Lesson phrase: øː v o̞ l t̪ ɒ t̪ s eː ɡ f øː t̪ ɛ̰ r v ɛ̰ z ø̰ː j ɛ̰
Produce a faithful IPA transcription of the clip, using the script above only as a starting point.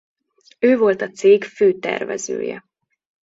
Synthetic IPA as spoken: øː v o̞ l t̪ ɒ t̪ s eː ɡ f øː t̪ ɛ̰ r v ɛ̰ z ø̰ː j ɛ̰